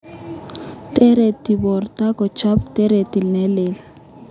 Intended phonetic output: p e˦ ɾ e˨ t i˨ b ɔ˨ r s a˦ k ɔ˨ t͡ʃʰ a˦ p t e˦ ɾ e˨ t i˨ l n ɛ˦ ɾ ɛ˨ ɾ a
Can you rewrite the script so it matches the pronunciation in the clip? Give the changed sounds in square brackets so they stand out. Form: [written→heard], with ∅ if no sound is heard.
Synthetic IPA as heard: [p→t] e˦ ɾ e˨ t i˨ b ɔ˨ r [s→t] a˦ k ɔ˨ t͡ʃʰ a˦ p t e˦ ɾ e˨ t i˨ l n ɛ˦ [ɾ→l] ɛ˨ [ɾ→l] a